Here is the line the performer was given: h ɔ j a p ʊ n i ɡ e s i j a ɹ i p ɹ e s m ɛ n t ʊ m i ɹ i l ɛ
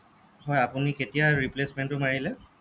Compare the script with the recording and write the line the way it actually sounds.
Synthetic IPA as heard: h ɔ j a p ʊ n i k e t i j a ɹ i p l e s m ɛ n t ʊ m a ɹ i l ɛ